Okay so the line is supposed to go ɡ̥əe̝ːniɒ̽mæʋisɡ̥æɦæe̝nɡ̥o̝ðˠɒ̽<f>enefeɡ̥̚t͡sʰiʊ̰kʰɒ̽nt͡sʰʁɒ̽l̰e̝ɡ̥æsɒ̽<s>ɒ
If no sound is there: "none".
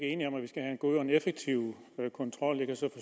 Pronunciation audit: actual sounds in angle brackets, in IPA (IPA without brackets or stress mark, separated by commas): none, f